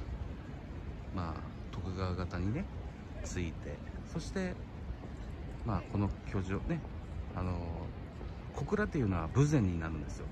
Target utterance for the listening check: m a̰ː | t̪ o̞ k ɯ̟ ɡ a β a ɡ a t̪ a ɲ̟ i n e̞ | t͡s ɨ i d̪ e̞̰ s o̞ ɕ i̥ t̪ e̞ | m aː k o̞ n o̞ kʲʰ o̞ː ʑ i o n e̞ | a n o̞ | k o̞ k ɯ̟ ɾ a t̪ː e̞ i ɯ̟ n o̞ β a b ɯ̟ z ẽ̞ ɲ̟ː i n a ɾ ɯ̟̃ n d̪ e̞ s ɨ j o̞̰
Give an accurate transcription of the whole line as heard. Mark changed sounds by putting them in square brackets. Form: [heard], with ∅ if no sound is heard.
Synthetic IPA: m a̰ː | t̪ o̞ k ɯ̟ ɡ a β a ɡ a t̪ a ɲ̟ i n e̞ | t͡s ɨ i [t̪] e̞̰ s o̞ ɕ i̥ t̪ e̞ | m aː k o̞ n o̞ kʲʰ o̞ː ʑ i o n e̞ | a n o̞ | k o̞ k ɯ̟ ɾ a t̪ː e̞ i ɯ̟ n o̞ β a b ɯ̟ z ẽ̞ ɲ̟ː i n a ɾ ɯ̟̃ n d̪ e̞ s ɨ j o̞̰